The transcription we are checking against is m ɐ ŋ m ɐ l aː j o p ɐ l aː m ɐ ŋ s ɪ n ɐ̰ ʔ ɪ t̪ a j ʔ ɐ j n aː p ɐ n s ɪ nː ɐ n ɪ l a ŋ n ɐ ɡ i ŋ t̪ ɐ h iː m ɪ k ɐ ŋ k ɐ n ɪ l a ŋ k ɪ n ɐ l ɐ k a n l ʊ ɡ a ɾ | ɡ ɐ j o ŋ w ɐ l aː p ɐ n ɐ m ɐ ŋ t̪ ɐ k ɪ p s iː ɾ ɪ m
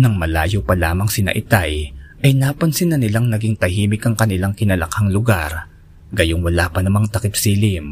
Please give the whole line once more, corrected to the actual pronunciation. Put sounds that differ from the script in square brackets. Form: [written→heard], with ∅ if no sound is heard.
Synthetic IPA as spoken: [m→n] ɐ ŋ m ɐ l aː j o p ɐ l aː m ɐ ŋ s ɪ n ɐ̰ ʔ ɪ t̪ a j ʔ ɐ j n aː p ɐ n s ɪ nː ɐ n ɪ l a ŋ n ɐ ɡ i ŋ t̪ ɐ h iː m ɪ k ɐ ŋ k ɐ n ɪ l a ŋ k ɪ n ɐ l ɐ k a [n→ŋ] l ʊ ɡ a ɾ | ɡ ɐ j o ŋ w ɐ l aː p ɐ n ɐ m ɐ ŋ t̪ ɐ k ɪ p s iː [ɾ→l] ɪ m